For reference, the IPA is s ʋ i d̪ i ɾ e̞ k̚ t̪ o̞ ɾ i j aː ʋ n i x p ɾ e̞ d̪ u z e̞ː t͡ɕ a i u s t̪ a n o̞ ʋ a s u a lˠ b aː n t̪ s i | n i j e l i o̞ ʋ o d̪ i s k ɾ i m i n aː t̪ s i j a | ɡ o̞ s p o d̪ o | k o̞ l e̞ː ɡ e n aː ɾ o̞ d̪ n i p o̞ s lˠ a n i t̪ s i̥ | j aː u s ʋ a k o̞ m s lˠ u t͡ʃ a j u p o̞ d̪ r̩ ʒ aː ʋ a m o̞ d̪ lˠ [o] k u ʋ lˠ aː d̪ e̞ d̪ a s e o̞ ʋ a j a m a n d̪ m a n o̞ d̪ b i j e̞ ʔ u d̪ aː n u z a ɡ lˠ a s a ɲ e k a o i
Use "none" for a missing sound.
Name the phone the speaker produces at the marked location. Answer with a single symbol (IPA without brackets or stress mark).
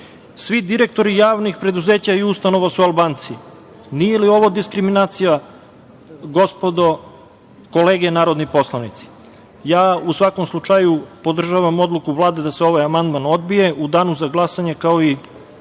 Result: u